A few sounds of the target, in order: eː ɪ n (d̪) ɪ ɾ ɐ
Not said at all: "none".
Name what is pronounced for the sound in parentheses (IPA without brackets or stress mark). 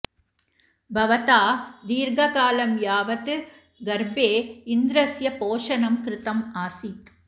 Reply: d̪